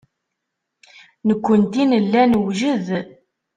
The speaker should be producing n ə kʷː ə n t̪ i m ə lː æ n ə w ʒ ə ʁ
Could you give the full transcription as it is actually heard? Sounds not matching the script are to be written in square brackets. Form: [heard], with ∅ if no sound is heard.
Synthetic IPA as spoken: n ə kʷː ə n t̪ i [n] ə lː æ n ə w ʒ ə [ð]